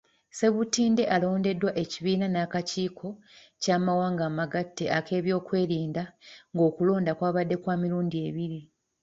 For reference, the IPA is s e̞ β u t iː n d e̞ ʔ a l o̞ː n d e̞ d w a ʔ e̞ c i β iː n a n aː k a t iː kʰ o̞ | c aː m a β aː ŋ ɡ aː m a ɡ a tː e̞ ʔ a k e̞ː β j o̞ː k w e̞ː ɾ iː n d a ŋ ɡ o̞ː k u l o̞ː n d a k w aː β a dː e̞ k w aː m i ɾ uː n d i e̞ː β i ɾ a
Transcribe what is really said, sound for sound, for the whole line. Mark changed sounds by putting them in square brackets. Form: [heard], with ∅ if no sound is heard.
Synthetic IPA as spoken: s e̞ β u t iː n d e̞ ʔ a l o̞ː n d e̞ d w a ʔ e̞ c i β iː n a n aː k a [c] iː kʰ o̞ | c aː m a [w] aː ŋ ɡ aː m a ɡ a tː e̞ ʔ a k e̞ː β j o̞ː k w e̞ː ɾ iː n d a ŋ ɡ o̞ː k u l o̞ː n d a k w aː β a dː e̞ k w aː m i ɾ uː n d i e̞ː β i ɾ [i]